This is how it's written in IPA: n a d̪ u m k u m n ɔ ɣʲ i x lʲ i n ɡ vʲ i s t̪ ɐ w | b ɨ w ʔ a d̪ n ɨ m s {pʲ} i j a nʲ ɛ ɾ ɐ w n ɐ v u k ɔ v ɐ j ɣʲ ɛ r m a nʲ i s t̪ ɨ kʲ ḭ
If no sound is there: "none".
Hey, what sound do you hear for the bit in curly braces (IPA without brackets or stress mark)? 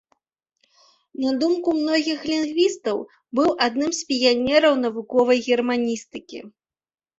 pʲ